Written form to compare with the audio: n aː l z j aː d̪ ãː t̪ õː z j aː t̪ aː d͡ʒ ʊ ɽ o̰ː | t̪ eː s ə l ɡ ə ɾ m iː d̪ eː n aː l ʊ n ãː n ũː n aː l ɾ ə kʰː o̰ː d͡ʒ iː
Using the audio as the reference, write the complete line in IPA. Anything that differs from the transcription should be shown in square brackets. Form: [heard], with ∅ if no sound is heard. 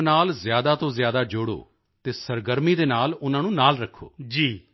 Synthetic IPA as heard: n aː l z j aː d̪ [aː] t̪ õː z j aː [d̪] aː d͡ʒ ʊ ɽ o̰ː | t̪ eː s ə [ɾ] ɡ ə ɾ m iː d̪ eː n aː l ʊ n ãː n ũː n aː l ɾ ə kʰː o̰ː d͡ʒ iː